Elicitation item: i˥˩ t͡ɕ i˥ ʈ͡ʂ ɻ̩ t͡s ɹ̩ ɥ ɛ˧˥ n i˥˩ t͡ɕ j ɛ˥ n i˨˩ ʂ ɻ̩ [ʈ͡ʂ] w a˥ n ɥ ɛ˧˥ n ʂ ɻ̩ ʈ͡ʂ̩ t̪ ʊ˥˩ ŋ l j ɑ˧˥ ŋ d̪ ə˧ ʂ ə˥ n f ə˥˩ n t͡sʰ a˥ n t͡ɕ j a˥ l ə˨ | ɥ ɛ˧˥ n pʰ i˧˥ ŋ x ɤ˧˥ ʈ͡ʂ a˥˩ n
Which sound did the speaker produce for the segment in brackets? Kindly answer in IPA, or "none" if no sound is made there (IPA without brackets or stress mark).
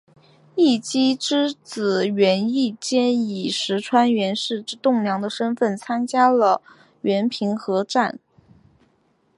ʈ͡ʂʰ